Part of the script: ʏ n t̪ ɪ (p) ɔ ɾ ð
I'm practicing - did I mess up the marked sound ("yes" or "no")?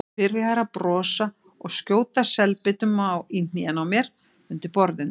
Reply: no